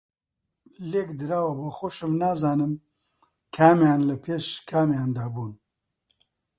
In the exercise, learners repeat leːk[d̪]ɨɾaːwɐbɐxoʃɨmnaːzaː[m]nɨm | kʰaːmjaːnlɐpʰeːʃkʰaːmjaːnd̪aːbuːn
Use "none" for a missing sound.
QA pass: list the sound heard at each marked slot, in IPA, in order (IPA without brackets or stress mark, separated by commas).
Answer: d̪, none